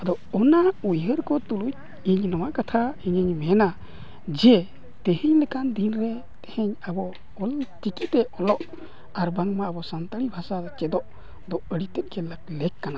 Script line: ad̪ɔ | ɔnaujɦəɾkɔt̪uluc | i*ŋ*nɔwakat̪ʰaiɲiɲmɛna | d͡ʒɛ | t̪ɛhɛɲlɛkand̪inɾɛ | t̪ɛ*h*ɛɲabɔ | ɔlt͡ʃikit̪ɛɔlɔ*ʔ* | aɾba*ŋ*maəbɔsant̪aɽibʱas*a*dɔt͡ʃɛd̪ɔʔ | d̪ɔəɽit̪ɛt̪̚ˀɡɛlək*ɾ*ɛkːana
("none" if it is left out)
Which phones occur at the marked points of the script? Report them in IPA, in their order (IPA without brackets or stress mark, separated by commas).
ɲ, h, ʔ, ŋ, a, l